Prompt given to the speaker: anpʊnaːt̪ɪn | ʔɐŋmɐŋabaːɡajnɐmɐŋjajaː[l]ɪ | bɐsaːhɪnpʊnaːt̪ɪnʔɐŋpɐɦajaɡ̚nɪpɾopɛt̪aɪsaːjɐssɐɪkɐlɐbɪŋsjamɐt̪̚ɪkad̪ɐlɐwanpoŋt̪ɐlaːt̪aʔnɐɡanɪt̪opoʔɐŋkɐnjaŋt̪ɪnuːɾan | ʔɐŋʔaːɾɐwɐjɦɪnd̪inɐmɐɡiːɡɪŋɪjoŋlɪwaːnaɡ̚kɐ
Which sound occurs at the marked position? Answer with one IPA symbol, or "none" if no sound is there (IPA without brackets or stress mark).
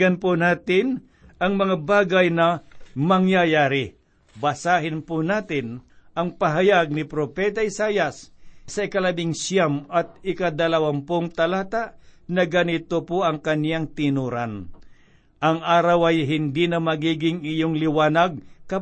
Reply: ɾ